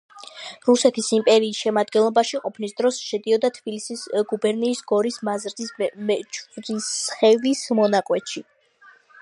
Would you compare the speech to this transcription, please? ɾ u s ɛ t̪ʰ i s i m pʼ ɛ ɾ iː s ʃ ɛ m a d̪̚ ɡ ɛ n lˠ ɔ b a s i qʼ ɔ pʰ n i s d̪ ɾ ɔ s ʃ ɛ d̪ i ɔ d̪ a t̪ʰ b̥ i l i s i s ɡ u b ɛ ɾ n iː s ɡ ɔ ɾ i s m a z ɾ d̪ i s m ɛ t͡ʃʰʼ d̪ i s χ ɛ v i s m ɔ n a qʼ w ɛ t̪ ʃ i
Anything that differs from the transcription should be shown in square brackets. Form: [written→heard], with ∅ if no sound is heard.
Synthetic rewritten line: ɾ u s ɛ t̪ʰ i s i m pʼ ɛ ɾ iː s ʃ ɛ m a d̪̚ ɡ ɛ n lˠ ɔ b a [s→ʃ] i qʼ ɔ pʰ n i s d̪ ɾ ɔ s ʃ ɛ d̪ i ɔ d̪ a t̪ʰ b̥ i l i s i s ɡ u b ɛ ɾ n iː s ɡ ɔ ɾ i s m a z ɾ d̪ i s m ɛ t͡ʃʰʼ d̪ i s χ ɛ v i s m ɔ n a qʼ w ɛ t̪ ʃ i